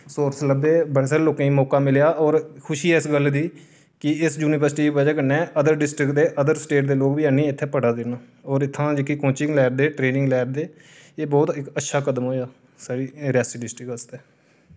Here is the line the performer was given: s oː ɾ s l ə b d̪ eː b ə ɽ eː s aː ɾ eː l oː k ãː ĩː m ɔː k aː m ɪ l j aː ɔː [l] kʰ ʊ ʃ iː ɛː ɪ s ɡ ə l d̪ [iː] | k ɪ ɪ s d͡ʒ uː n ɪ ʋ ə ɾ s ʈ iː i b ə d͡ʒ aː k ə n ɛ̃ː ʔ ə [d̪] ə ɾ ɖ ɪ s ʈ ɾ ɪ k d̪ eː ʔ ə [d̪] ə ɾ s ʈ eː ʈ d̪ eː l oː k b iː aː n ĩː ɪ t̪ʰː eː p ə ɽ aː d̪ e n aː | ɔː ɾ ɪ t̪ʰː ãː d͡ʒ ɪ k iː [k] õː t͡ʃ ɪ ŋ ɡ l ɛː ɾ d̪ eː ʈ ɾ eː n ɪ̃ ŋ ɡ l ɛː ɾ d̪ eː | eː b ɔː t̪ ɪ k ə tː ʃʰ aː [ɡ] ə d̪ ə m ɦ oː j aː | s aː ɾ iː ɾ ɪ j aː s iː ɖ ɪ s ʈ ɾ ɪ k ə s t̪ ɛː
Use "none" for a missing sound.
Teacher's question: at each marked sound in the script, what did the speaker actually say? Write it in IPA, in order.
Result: ɾ, iː, d̪, d̪, k, k

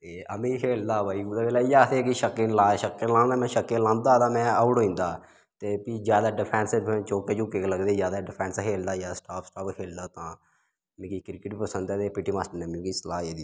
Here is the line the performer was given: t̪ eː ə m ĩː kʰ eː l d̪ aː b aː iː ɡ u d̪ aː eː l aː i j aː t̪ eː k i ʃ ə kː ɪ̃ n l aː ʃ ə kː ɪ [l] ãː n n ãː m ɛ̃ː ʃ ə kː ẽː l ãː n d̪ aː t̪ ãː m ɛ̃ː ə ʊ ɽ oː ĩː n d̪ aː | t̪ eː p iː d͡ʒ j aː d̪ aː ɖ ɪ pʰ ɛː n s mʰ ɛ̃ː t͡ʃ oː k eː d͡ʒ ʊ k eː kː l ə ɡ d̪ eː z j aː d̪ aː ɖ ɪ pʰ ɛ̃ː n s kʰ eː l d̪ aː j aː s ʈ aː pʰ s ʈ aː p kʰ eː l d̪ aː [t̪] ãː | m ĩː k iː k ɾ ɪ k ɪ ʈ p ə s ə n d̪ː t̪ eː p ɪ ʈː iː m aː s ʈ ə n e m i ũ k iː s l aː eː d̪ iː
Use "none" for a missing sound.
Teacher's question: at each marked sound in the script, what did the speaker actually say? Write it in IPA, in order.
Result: l, t̪

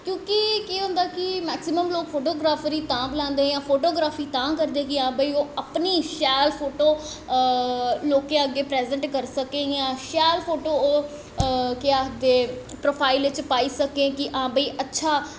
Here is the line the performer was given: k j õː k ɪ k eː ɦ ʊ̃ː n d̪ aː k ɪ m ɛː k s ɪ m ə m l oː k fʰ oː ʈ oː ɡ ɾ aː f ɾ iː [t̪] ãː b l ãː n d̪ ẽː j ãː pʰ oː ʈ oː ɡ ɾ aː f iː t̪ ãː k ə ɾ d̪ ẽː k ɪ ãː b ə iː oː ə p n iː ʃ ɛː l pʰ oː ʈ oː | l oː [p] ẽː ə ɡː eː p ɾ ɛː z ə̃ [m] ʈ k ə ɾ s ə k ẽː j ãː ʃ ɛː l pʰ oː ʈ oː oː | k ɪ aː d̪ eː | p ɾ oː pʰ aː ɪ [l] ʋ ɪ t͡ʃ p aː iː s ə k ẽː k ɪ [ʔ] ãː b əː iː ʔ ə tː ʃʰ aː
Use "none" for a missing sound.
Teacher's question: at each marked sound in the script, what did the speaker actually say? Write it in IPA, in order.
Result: t̪, k, ɳ, l, ʔ

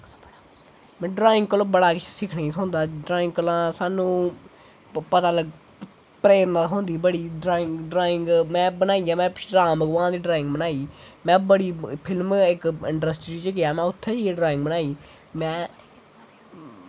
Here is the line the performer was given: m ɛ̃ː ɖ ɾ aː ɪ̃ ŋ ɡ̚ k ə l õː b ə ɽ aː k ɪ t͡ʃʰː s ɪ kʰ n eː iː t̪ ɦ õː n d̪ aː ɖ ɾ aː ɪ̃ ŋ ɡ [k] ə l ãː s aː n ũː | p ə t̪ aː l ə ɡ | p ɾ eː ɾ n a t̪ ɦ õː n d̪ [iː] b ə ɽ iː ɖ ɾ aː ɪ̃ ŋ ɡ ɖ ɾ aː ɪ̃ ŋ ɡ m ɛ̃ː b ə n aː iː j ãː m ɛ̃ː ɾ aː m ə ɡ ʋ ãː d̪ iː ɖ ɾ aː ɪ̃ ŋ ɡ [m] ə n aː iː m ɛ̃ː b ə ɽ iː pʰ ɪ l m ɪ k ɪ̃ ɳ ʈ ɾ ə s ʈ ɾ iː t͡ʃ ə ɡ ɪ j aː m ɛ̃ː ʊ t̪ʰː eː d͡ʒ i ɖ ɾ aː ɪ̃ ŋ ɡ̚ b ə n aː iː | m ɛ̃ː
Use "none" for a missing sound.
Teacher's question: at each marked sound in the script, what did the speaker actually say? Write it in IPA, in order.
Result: k, iː, b

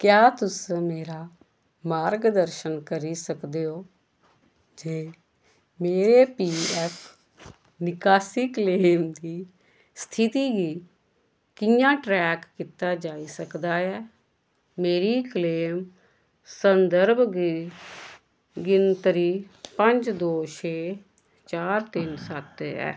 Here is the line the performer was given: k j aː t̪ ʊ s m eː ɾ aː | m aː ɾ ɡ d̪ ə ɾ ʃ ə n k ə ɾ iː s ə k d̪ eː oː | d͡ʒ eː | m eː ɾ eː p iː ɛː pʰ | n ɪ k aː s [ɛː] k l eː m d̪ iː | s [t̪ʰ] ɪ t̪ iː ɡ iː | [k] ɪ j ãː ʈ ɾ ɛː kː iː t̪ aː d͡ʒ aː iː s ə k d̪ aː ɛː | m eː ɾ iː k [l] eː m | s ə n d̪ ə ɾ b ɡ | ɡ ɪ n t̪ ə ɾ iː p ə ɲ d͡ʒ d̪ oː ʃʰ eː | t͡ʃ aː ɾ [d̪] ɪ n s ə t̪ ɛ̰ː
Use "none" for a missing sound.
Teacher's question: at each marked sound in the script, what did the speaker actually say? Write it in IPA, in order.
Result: iː, t̪ʰ, k, l, t̪

